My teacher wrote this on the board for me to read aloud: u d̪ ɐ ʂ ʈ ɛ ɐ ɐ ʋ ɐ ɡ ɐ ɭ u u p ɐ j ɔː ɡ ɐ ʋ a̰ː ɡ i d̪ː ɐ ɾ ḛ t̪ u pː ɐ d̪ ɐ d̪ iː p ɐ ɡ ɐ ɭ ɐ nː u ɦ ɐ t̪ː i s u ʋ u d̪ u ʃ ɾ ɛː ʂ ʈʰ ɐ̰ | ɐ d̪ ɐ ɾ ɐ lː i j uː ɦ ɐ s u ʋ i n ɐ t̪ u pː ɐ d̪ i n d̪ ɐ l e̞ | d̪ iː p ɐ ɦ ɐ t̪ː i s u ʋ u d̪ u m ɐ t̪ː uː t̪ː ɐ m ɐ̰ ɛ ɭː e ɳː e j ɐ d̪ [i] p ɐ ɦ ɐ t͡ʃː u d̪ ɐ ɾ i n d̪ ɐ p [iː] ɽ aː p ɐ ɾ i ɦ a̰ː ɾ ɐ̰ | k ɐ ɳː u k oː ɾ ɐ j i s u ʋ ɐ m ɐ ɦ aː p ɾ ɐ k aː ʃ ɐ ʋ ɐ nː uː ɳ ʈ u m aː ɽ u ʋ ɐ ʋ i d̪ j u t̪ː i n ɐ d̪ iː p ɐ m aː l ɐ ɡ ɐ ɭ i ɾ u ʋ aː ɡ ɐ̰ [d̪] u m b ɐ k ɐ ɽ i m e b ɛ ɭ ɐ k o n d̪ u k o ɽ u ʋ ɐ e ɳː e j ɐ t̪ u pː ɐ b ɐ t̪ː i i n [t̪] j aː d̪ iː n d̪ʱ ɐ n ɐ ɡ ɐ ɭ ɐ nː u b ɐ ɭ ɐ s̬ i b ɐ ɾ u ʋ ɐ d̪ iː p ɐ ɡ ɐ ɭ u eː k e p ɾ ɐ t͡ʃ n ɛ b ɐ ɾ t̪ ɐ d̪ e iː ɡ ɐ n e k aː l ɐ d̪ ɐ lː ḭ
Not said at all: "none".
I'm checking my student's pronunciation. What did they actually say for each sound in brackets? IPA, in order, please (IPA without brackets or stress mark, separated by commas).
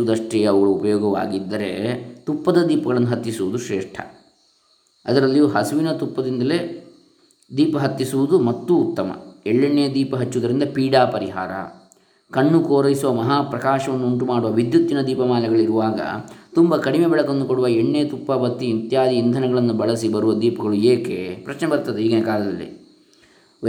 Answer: iː, iː, t̪, t̪